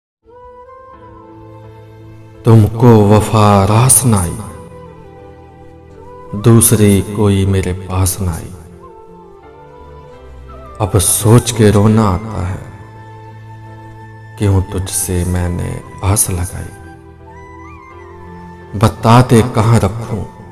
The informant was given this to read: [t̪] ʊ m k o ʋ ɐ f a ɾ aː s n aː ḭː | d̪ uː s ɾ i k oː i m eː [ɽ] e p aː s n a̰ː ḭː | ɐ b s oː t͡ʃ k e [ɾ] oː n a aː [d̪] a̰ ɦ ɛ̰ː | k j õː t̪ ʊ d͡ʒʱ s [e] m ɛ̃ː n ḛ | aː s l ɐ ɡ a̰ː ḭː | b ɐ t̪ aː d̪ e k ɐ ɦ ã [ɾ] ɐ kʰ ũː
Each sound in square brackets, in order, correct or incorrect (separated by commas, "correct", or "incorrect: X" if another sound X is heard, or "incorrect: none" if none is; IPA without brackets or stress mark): correct, incorrect: ɾ, correct, incorrect: t̪, correct, correct